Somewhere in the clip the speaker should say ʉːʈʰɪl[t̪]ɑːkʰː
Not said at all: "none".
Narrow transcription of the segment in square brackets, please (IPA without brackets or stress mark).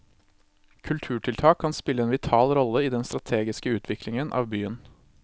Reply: t̪ʰ